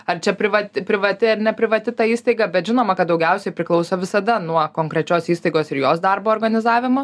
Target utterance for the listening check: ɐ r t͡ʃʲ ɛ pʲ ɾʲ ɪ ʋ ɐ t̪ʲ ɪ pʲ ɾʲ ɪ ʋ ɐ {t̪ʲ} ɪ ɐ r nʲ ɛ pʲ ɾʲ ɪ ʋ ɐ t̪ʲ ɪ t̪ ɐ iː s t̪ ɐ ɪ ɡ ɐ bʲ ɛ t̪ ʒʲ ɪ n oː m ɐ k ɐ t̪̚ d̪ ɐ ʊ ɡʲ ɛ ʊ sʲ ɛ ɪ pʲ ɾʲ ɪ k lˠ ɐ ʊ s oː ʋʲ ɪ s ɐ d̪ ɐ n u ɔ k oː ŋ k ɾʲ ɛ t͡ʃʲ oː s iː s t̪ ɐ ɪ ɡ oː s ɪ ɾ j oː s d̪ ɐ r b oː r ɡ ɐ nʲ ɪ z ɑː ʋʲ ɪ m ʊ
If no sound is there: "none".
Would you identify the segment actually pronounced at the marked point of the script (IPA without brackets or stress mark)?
t̪ʲ